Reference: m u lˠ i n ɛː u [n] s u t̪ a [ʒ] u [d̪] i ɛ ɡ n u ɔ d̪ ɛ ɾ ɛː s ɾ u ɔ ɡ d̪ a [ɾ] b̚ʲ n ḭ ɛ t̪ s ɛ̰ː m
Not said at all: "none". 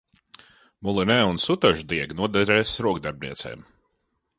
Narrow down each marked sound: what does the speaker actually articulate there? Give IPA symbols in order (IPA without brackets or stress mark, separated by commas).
n, ʒ, d̪, ɾ